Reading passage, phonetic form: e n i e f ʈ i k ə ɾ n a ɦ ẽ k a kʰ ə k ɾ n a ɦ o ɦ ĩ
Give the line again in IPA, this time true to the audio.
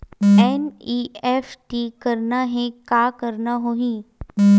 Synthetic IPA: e n i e f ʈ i k ə ɾ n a ɦ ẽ k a k ə ɾ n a ɦ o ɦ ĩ

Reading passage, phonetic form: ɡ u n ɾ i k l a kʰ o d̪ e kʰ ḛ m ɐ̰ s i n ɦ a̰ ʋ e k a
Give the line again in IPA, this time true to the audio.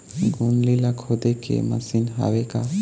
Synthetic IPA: ɡ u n l i l a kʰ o d̪ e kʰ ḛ m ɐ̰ s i n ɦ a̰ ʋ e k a

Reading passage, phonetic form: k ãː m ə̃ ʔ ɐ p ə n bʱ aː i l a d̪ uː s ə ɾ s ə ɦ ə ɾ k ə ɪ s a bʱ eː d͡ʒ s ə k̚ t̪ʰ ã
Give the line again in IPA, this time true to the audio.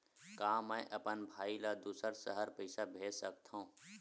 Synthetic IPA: k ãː m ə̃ ʔ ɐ p ə n bʱ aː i l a d̪ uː s ə ɾ s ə ɦ ə ɾ p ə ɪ s a bʱ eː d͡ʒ s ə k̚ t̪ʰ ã

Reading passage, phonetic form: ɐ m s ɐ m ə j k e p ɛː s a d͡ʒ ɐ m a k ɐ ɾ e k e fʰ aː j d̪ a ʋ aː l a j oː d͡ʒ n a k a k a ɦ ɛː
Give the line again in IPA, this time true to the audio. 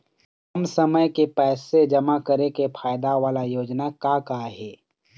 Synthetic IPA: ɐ m s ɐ m ə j k e p ɛː s e d͡ʒ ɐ m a k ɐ ɾ e k e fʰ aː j d̪ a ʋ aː l a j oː d͡ʒ n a k a k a ɦ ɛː

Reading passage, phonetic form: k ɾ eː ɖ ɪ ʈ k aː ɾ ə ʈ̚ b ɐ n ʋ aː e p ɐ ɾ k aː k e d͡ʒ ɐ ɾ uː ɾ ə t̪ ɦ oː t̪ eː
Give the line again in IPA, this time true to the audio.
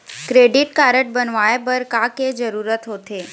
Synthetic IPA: k ɾ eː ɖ ɪ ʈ k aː ɾ ə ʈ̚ b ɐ n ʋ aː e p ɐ ɾ k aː k e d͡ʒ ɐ ɾ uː ɾ ə t̪ ɦ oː t̪ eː

